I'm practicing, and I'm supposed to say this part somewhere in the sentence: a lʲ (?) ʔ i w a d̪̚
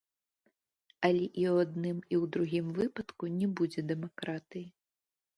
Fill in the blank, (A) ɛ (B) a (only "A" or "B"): A